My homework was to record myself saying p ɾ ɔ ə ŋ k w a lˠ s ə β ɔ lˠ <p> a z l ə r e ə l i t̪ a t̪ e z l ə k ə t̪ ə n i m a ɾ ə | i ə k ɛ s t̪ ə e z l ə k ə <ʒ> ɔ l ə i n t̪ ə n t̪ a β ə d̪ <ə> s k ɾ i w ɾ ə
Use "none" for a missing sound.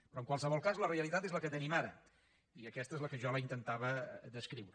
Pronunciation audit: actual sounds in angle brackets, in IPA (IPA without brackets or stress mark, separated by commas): k, ʒ, ə